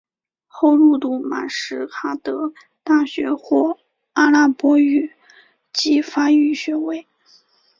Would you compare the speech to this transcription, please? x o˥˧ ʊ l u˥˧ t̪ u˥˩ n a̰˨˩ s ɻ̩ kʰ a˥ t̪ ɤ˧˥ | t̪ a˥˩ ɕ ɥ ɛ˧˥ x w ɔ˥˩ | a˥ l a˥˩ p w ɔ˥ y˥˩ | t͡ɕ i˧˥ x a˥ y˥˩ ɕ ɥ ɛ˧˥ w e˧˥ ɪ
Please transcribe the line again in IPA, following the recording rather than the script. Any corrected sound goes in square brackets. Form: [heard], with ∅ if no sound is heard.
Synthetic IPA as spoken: x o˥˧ ʊ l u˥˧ t̪ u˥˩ [m] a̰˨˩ [ʂ] ɻ̩ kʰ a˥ t̪ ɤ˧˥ | t̪ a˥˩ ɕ ɥ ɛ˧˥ x w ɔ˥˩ | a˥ l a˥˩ p w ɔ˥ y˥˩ | t͡ɕ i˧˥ [f] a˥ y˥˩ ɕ ɥ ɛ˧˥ w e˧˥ ɪ

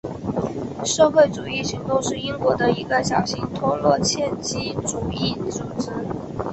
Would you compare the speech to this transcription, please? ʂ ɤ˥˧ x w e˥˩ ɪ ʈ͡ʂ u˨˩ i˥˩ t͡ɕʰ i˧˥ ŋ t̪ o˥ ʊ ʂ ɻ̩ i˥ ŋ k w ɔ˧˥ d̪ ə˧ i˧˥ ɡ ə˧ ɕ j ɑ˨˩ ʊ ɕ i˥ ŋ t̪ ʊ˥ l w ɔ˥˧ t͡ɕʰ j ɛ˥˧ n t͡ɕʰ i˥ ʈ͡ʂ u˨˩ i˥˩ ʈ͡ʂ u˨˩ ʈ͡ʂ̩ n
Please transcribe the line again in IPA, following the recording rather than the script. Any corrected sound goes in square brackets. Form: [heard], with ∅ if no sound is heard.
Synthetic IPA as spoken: ʂ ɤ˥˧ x w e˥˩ ɪ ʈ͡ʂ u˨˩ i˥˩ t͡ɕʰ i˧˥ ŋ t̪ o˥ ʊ ʂ ɻ̩ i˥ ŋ k w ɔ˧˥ d̪ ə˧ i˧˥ ɡ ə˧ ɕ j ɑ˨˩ ʊ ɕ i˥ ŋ [t̪ʰ] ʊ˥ l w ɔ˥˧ t͡ɕʰ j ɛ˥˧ n [t͡ɕ] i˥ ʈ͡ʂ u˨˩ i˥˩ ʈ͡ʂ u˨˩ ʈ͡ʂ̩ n

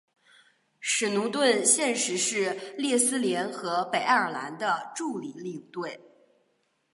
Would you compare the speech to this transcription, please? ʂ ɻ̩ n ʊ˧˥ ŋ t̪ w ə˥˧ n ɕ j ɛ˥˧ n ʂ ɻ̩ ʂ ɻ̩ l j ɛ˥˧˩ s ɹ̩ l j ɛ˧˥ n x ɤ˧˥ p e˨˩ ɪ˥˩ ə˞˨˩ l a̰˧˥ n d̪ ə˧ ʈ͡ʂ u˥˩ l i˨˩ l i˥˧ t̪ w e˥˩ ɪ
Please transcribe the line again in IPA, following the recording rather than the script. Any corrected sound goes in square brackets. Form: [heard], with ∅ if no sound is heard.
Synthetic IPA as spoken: ʂ ɻ̩ n [u˧˥] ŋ t̪ w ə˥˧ n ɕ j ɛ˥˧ n ʂ ɻ̩ ʂ ɻ̩ l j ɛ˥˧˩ s ɹ̩ l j ɛ˧˥ n x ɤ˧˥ p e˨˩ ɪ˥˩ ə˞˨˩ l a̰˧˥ n d̪ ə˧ ʈ͡ʂ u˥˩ l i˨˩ l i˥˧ t̪ w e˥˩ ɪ

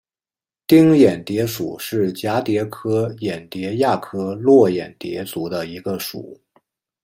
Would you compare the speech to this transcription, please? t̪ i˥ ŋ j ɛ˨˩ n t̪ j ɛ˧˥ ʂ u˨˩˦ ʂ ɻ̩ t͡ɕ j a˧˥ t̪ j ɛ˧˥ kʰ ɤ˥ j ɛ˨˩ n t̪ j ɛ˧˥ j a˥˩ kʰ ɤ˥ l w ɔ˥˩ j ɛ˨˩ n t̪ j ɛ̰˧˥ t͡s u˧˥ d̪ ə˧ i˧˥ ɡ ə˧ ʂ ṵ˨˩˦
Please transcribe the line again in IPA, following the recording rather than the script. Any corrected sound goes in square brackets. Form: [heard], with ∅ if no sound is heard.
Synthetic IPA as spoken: t̪ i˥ ŋ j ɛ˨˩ n t̪ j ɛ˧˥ ʂ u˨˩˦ ʂ ɻ̩ t͡ɕ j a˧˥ t̪ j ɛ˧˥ kʰ ɤ˥ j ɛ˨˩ n t̪ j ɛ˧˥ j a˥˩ kʰ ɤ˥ l w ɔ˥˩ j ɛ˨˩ n t̪ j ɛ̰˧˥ t͡s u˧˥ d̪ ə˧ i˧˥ ɡ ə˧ ʂ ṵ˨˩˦

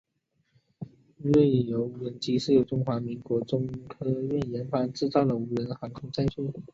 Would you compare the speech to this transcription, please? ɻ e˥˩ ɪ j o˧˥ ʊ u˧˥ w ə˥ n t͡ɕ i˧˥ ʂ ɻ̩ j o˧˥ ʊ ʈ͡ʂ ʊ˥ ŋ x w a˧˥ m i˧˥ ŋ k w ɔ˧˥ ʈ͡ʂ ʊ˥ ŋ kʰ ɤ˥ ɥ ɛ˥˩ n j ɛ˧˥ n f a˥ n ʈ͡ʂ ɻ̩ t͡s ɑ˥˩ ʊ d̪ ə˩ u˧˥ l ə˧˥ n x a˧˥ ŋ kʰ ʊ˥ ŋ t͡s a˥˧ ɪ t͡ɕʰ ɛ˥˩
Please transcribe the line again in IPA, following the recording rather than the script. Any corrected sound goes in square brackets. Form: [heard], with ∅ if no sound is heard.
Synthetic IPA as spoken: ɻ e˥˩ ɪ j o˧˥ ʊ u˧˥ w [ə˧˥] n t͡ɕ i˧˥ ʂ ɻ̩ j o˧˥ ʊ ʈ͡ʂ ʊ˥ ŋ x w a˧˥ m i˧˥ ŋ k w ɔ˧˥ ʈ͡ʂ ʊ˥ ŋ kʰ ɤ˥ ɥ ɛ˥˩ n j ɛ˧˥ n f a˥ n ʈ͡ʂ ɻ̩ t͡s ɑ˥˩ ʊ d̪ ə˩ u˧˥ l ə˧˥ n x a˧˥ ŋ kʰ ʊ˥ ŋ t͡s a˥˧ ɪ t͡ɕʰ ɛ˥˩

